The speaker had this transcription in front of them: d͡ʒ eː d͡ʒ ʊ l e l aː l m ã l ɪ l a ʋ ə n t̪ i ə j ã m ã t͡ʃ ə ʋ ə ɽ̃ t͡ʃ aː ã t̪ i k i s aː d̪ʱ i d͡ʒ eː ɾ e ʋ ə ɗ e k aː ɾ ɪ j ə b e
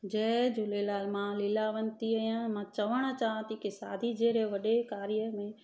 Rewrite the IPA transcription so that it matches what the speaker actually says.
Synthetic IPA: d͡ʒ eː d͡ʒ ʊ l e l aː l m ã l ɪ l a ʋ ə n t̪ i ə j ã m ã t͡ʃ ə ʋ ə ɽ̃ t͡ʃ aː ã t̪ i k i s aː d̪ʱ i d͡ʒ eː ɾ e ʋ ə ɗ e k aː ɾ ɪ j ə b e

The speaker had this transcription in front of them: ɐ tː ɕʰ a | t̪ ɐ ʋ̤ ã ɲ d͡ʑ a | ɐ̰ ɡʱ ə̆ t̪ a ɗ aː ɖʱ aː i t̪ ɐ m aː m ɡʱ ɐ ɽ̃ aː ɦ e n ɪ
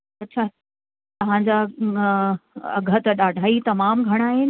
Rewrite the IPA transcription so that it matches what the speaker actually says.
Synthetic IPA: ɐ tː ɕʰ a | t̪ ɐ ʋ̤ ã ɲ d͡ʑ a | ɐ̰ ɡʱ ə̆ t̪ ɐ ɗ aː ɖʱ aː i t̪ ɐ m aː m ɡʱ ɐ ɽ̃ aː ɦ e n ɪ

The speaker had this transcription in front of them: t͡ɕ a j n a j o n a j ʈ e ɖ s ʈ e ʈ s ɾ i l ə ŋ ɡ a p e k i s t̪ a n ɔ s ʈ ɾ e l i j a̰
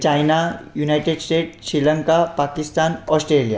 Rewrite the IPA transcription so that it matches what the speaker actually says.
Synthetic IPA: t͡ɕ a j n a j u n a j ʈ e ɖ s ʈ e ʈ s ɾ i l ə ŋ k a p a k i s t̪ a n ɔ s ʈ ɾ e l i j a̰

